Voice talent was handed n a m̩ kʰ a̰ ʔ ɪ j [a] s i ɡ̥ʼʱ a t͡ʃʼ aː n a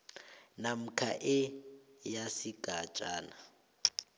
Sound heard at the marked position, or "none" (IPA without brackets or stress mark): a